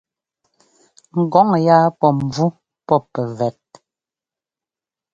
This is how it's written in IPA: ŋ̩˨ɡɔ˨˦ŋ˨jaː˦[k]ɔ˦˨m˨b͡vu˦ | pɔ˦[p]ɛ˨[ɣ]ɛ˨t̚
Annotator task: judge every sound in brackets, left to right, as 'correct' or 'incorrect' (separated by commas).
incorrect, correct, incorrect